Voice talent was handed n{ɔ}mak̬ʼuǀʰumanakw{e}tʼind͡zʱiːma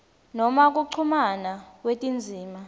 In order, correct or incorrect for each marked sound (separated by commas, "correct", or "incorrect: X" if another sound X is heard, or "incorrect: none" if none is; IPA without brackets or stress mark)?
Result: correct, correct